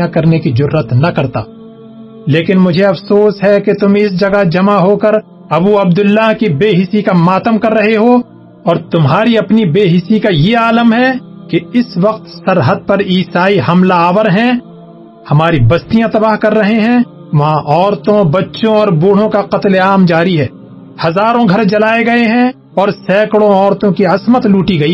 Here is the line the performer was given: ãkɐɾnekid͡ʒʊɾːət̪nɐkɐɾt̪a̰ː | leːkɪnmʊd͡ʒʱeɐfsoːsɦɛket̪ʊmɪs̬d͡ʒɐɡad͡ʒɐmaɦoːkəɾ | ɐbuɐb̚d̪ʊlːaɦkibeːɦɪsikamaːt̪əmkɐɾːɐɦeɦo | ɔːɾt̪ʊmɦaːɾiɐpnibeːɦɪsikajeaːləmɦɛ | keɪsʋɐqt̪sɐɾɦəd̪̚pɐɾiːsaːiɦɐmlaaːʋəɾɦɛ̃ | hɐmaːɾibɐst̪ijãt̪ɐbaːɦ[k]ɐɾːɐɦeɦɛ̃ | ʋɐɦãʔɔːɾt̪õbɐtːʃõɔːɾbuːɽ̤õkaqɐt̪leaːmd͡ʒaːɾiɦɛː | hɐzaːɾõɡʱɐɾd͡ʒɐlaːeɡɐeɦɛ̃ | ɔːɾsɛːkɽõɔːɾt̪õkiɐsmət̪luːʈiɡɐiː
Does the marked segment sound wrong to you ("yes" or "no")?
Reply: no